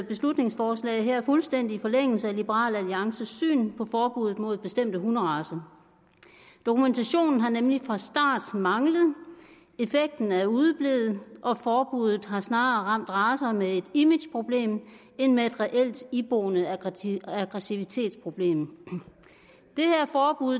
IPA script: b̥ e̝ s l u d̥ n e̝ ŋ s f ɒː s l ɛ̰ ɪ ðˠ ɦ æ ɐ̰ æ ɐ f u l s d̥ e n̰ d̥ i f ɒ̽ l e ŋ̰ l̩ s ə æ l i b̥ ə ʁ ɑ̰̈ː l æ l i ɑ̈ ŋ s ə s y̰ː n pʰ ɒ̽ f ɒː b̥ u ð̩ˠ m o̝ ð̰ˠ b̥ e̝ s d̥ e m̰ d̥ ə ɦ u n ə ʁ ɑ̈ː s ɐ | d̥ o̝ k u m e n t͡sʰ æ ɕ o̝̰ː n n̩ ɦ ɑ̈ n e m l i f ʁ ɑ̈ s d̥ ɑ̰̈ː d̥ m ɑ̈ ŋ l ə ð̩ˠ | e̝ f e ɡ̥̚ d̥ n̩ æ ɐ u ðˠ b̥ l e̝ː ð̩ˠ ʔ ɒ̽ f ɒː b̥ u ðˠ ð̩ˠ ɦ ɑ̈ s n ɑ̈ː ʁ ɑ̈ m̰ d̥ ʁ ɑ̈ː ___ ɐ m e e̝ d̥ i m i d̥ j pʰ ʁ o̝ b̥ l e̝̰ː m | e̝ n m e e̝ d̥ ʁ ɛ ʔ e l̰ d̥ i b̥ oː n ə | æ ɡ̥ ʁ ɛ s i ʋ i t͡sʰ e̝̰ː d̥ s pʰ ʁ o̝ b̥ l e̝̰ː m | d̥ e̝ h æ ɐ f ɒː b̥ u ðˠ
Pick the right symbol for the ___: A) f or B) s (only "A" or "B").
B